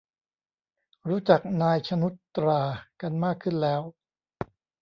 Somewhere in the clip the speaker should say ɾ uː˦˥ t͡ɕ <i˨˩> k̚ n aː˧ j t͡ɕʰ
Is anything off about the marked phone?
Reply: yes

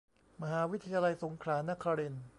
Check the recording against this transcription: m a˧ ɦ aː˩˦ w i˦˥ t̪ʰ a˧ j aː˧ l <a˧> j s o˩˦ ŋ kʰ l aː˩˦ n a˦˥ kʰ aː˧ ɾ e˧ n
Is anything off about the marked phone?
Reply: no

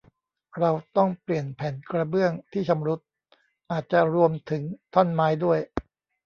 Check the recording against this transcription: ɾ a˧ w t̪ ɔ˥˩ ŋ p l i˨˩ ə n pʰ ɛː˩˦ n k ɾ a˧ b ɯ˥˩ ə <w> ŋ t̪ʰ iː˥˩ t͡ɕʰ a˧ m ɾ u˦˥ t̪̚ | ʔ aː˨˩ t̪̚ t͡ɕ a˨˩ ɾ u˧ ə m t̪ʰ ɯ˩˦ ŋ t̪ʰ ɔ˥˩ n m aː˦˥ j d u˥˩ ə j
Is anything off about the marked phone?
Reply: yes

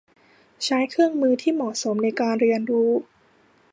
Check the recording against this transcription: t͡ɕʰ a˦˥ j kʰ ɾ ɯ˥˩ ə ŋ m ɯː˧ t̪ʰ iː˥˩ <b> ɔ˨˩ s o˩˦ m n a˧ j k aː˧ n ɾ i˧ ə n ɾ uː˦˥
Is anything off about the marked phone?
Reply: yes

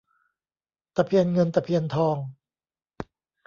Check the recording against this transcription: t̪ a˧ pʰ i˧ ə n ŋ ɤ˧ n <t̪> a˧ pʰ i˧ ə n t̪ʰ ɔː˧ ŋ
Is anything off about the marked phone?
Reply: no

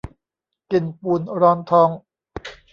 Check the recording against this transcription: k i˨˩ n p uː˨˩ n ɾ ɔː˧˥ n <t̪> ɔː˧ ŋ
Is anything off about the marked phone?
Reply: yes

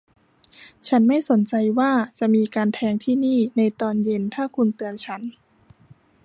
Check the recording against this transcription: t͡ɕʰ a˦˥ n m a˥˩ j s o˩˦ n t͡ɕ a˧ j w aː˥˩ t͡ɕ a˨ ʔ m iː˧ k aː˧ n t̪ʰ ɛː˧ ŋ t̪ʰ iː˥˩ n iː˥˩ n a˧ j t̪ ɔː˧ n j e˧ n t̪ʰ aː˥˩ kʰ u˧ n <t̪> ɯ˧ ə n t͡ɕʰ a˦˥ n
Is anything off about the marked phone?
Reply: no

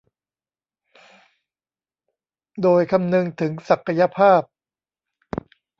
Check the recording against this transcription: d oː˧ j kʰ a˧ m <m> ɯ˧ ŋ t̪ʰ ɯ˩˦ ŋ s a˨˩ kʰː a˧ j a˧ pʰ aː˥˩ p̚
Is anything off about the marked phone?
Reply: yes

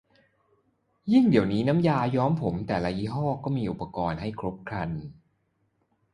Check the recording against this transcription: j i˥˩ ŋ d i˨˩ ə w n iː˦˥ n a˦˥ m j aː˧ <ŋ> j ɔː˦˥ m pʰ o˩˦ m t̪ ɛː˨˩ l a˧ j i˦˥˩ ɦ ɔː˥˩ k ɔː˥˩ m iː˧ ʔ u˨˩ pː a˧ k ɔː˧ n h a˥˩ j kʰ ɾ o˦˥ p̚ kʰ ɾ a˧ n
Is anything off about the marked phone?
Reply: yes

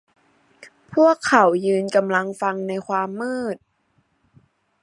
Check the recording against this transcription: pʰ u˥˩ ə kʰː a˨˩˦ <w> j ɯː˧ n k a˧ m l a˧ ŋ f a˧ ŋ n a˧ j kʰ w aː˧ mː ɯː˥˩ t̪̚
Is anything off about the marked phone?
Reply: no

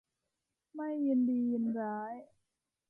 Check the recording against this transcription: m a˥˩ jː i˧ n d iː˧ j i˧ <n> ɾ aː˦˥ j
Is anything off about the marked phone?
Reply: no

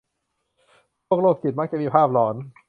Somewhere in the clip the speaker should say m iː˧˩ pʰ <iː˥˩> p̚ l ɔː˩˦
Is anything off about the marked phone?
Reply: yes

